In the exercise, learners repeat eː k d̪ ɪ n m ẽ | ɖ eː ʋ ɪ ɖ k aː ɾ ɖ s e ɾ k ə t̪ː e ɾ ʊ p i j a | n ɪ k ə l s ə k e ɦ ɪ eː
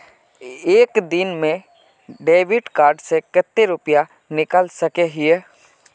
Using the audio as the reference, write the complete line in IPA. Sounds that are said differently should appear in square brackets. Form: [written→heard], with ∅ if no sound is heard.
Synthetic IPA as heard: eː k d̪ ɪ n m ẽ | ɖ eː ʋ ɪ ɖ k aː ɾ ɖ s e [ɾ→∅] k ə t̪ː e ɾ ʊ p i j a | n ɪ k ə l s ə k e ɦ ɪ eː